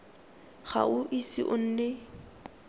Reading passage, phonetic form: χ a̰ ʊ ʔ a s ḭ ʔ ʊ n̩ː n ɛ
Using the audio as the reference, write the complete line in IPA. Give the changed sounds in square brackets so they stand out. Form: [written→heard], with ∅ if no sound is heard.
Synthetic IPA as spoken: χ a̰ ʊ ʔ [a→i] s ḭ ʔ ʊ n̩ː n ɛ